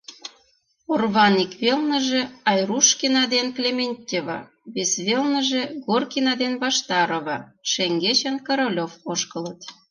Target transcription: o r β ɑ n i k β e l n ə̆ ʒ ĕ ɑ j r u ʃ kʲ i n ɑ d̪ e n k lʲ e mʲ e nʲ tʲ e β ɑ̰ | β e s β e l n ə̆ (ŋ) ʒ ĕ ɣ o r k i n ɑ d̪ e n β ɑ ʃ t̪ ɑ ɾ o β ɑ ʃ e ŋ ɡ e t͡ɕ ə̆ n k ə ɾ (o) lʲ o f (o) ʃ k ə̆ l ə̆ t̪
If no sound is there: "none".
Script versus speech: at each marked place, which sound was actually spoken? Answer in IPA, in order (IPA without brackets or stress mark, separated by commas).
none, o, o